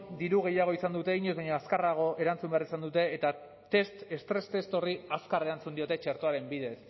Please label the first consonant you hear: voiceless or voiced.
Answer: voiced